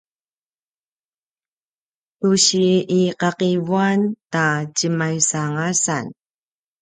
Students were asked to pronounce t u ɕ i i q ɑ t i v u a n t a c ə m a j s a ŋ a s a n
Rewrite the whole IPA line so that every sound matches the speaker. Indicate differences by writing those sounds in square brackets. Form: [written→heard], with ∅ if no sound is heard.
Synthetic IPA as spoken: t u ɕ i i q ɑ [t→q] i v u a n t a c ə m a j s a ŋ a s a n